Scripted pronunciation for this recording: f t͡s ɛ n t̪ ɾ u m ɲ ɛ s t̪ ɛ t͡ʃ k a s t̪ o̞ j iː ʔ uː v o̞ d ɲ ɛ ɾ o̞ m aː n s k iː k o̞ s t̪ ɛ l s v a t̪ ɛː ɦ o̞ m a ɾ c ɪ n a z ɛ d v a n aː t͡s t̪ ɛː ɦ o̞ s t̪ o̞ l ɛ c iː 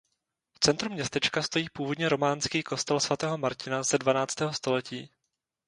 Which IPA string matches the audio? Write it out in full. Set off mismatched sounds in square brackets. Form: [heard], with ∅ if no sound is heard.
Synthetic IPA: f t͡s ɛ n t̪ ɾ u m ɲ ɛ s t̪ ɛ t͡ʃ k a s t̪ o̞ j iː [p] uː v o̞ d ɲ ɛ ɾ o̞ m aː n s k iː k o̞ s t̪ ɛ l s v a t̪ ɛː ɦ o̞ m a ɾ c ɪ n a z ɛ d v a n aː t͡s t̪ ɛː ɦ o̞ s t̪ o̞ l ɛ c iː

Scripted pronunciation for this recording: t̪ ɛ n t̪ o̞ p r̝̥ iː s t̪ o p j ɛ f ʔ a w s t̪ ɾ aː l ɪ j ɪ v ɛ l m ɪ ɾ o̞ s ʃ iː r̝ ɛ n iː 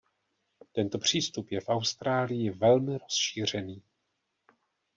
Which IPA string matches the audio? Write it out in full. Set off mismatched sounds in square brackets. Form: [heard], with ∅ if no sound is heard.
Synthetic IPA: t̪ ɛ n t̪ o̞ p r̝̥ iː s t̪ [u] p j ɛ f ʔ a w s t̪ ɾ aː l ɪ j ɪ v ɛ l m ɪ ɾ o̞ s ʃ iː r̝ ɛ n iː

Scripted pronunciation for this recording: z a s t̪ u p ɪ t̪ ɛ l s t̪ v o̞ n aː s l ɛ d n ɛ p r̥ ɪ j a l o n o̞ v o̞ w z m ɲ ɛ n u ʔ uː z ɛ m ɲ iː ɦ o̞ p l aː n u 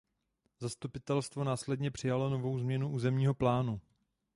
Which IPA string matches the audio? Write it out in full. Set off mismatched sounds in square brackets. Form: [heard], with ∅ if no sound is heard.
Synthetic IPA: z a s t̪ u p ɪ t̪ ɛ l s t̪ v o̞ n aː s l ɛ d [ɲ] ɛ p r̥ ɪ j a l o n o̞ v o̞ w z m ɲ ɛ n u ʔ uː z ɛ m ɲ iː ɦ o̞ p l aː n u

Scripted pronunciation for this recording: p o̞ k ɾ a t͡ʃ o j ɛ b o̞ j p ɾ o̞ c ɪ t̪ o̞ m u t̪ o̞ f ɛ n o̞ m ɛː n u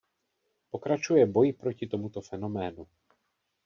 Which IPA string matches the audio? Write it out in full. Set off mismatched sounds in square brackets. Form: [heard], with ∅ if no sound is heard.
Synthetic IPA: p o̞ k ɾ a t͡ʃ [u] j ɛ b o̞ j p ɾ o̞ c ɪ t̪ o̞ m u t̪ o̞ f ɛ n o̞ m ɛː n u

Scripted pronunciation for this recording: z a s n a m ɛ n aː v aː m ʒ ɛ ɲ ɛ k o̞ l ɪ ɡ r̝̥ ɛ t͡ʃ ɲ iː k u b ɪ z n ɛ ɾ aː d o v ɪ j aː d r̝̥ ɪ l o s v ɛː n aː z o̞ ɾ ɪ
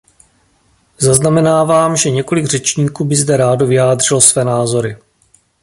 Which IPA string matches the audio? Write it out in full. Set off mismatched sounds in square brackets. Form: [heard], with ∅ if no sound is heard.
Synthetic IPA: z a [z] n a m ɛ n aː v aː m ʒ ɛ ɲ ɛ k o̞ l ɪ ɡ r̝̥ ɛ t͡ʃ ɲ iː k [uː] b ɪ z [d] ɛ ɾ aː d o v ɪ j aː d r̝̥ ɪ l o s v ɛː n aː z o̞ ɾ ɪ

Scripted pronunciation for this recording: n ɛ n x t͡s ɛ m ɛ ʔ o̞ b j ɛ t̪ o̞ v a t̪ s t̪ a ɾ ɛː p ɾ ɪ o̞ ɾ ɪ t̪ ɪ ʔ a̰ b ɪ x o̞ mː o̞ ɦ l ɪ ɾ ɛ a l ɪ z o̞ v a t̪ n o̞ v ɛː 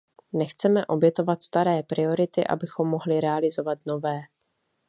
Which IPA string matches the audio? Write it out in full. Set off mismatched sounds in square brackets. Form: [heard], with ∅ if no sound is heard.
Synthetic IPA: n ɛ [∅] x t͡s ɛ m ɛ ʔ o̞ b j ɛ t̪ o̞ v a t̪ s t̪ a ɾ ɛː p ɾ ɪ o̞ ɾ ɪ t̪ ɪ ʔ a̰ b ɪ x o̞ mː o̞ ɦ l ɪ ɾ ɛ a l ɪ z o̞ v a t̪ n o̞ v ɛː

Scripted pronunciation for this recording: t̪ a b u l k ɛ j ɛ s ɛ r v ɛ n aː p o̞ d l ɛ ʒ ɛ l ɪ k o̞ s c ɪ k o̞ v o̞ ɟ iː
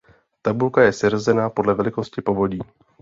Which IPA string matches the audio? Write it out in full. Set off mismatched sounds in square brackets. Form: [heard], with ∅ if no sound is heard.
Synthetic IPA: t̪ a b u l k [a] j ɛ s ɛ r [z] ɛ n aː p o̞ d l ɛ [v] ɛ l ɪ k o̞ s c ɪ [p] o̞ v o̞ ɟ iː

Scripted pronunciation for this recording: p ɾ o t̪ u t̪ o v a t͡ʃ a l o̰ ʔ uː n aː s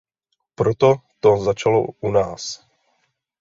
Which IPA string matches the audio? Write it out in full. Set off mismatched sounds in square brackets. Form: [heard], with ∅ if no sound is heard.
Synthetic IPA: p ɾ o t̪ [o] t̪ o [z] a t͡ʃ a l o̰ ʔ [u] n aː s

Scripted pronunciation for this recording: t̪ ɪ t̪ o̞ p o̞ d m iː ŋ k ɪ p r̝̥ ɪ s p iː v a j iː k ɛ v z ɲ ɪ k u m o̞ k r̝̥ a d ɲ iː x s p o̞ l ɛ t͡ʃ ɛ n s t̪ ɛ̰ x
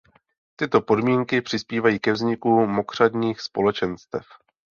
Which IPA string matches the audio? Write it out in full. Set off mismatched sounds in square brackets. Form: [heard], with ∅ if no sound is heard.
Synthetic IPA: t̪ ɪ t̪ o̞ p o̞ d m iː ŋ k ɪ p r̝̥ ɪ s p iː v a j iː k ɛ v z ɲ ɪ k u m o̞ k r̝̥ a d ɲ iː x s p o̞ l ɛ t͡ʃ ɛ n s t̪ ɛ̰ [f]

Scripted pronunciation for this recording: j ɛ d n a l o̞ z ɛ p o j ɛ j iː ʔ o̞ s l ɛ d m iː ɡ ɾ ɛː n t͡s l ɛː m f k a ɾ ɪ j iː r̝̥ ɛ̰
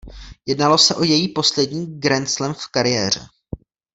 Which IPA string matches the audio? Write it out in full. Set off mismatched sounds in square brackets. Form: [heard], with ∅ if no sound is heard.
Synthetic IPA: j ɛ d n a l o̞ [s] ɛ [ʔ] o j ɛ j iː [p] o̞ s l ɛ d [ɲ] iː ɡ ɾ [ɛ] n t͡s l [ɛ] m f k a ɾ ɪ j [ɛː] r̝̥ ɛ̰

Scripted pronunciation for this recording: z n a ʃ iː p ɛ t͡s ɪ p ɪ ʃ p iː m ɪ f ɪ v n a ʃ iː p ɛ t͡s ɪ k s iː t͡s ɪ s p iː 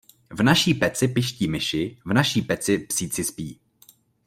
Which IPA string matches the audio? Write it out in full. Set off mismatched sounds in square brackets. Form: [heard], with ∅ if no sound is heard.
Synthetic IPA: [v] n a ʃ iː p ɛ t͡s ɪ p ɪ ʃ [c] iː m ɪ [ʃ] ɪ v n a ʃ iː p ɛ t͡s ɪ [p] s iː t͡s ɪ s p iː

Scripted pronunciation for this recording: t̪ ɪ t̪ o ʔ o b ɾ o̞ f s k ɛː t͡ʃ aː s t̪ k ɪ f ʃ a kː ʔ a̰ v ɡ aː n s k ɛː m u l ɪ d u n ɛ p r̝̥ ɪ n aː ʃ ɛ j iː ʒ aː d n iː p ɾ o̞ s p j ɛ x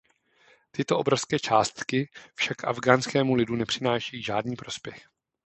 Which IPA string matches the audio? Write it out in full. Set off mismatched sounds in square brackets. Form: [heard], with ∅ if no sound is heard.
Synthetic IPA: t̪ ɪ t̪ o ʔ o b ɾ o̞ f s k ɛː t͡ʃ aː s t̪ k ɪ f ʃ a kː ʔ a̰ v ɡ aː n s k ɛː m u l ɪ d u n ɛ p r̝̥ ɪ n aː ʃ ɛ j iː ʒ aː d n iː p ɾ o̞ s p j ɛ x

